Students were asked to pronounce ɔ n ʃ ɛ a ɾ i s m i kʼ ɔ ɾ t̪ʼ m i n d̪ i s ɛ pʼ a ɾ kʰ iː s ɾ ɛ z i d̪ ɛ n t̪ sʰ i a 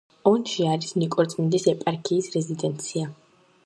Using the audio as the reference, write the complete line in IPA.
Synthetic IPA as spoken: ɔ n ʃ i a ɾ i s n i kʼ ɔ ɾ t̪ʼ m i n d̪ i s ɛ pʼ a ɾ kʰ iː s ɾ ɛ z i d̪ ɛ n t̪ sʰ i a